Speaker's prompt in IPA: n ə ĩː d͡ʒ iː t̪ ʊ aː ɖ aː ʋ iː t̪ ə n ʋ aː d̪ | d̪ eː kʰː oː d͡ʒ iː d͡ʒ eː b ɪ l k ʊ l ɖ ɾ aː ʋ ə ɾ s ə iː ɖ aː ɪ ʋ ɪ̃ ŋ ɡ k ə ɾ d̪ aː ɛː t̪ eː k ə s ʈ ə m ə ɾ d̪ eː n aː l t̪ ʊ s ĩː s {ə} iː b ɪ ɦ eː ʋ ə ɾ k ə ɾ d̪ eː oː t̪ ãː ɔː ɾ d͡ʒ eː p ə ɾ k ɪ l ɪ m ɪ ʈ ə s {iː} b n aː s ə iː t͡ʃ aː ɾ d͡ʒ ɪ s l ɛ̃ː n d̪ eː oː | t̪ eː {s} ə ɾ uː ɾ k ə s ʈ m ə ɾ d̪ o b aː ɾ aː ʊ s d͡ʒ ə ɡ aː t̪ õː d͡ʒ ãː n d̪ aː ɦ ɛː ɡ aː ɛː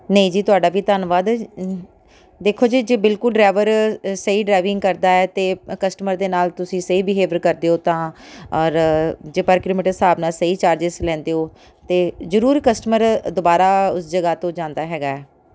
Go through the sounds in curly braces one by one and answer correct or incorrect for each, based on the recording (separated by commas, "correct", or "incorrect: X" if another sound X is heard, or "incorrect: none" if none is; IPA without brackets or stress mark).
correct, incorrect: aː, incorrect: z